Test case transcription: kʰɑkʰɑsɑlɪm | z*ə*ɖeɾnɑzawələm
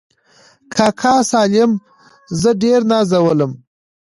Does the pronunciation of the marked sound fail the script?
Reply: no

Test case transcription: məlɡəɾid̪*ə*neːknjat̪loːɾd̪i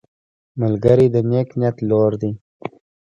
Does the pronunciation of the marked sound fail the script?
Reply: no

